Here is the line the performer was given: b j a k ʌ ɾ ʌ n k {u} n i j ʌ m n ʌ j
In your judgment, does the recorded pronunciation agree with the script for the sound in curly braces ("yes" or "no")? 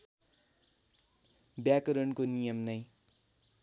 no